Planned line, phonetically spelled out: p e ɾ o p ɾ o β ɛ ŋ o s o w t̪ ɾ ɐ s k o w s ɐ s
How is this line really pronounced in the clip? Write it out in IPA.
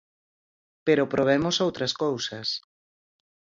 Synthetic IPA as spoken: p e ɾ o p ɾ o β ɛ m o s o w t̪ ɾ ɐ s k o w s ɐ s

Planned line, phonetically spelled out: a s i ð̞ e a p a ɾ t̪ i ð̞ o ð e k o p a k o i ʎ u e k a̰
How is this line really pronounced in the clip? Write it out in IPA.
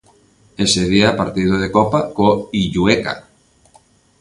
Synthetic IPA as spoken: e s e ð̞ i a p a ɾ t̪ i ð̞ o ð e k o p a k o i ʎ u e k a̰

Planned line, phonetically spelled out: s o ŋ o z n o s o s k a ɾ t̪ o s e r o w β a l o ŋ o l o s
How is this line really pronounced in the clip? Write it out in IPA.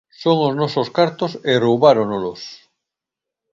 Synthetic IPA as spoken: s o ŋ o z n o s o s k a ɾ t̪ o s e r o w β a ɾ o n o l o s

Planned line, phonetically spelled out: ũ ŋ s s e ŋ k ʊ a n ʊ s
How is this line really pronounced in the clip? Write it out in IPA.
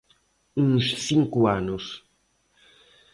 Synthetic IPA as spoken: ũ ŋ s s i ŋ k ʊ a n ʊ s

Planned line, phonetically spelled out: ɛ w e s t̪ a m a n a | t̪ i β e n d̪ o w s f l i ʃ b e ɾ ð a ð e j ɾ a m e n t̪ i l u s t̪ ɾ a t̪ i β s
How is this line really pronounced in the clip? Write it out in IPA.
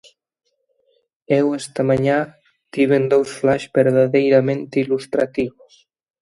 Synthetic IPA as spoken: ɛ w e s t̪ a m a ɲ a | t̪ i β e n d̪ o w s f l a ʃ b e ɾ ð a ð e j ɾ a m e n t̪ i l u s t̪ ɾ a t̪ i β s

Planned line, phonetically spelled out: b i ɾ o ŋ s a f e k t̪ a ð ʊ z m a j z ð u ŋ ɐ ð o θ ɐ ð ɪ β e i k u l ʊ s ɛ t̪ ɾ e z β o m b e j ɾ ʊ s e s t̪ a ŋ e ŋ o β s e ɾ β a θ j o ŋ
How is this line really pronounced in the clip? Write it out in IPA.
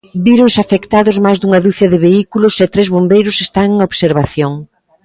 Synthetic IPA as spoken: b i ɾ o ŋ s a f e k t̪ a ð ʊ z m a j z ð u ŋ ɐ ð u θ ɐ ð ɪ β e i k u l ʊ s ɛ t̪ ɾ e z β o m b e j ɾ ʊ s e s t̪ a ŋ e ŋ o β s e ɾ β a θ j o ŋ

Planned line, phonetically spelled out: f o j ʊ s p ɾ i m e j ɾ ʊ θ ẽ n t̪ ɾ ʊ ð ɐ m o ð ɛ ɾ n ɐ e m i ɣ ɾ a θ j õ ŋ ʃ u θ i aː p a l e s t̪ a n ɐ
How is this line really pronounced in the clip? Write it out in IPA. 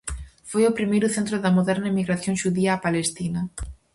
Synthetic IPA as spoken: f o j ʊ p ɾ i m e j ɾ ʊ θ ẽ n t̪ ɾ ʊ ð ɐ m o ð ɛ ɾ n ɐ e m i ɣ ɾ a θ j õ ŋ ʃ u ð i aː p a l e s t̪ i n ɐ

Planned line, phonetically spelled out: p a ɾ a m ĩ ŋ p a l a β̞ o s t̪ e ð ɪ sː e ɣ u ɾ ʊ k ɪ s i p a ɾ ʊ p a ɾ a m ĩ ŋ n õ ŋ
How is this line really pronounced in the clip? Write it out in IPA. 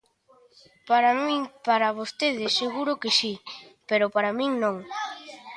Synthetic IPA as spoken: p a ɾ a m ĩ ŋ p a ɾ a β̞ o s t̪ e ð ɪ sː e ɣ u ɾ ʊ k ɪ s i p e ɾ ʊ p a ɾ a m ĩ ŋ n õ ŋ

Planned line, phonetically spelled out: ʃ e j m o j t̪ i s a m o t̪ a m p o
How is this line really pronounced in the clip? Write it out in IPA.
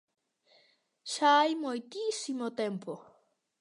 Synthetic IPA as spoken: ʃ a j m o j t̪ i s i m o t̪ e m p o

